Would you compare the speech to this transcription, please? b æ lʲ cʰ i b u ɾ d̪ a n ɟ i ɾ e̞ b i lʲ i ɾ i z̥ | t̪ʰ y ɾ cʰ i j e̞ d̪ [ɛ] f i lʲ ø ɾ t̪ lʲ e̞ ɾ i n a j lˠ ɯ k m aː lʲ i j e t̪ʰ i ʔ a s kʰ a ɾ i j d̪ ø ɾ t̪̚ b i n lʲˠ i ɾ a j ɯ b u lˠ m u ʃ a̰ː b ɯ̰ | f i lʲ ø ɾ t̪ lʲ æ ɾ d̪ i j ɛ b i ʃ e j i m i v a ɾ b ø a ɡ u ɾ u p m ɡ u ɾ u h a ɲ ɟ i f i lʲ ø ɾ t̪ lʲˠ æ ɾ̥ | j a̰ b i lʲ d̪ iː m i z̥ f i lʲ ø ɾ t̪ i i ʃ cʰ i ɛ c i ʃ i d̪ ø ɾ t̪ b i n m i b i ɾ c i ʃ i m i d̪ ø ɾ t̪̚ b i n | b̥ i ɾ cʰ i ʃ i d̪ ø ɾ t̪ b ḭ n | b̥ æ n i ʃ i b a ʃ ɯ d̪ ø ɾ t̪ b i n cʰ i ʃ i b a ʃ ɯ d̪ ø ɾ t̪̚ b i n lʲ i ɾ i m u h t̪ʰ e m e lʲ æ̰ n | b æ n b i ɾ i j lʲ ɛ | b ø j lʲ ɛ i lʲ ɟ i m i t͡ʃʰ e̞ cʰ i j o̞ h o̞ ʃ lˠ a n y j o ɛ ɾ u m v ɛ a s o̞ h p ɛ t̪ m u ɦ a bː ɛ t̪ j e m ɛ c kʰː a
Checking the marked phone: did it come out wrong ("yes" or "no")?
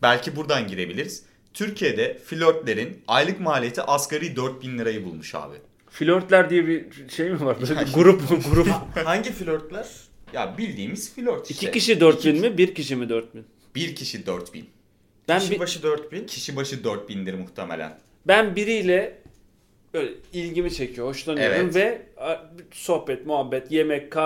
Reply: no